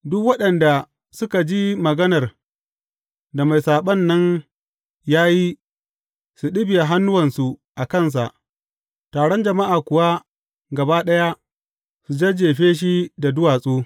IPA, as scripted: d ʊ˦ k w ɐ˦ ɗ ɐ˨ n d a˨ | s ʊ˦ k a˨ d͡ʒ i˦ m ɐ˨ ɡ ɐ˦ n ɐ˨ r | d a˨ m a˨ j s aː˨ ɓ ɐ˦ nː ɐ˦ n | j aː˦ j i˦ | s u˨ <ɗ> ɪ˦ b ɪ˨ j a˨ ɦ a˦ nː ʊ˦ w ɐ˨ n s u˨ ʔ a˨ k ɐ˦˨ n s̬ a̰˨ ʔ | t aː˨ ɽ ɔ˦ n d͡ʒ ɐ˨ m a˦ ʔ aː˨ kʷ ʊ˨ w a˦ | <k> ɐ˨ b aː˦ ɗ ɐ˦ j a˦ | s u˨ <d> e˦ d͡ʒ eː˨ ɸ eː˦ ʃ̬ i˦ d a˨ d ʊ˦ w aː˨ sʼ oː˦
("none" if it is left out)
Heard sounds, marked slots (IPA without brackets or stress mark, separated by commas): ɗ, ɡ, d͡ʒ